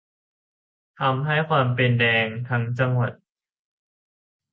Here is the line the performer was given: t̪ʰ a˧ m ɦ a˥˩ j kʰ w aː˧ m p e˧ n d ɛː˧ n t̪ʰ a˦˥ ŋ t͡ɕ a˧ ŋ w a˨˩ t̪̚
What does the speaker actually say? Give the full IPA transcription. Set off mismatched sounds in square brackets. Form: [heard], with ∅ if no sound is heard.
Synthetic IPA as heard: t̪ʰ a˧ m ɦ a˥˩ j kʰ w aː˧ m p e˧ n d ɛː˧ [ŋ] t̪ʰ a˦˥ ŋ t͡ɕ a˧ ŋ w a˨˩ t̪̚